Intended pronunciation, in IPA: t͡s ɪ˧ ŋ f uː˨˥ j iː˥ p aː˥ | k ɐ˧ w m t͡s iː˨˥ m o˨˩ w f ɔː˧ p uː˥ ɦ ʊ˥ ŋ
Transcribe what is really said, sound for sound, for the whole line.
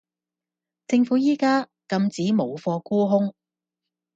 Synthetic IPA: t͡s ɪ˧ ŋ f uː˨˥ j iː˥ k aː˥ | k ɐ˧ m t͡s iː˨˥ m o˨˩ w f ɔː˧ k uː˥ ɦ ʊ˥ ŋ